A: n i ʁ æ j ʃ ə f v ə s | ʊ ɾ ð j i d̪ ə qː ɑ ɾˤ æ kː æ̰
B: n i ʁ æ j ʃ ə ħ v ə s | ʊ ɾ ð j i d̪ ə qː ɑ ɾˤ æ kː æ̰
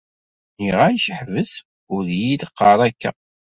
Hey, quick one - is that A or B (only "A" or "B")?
B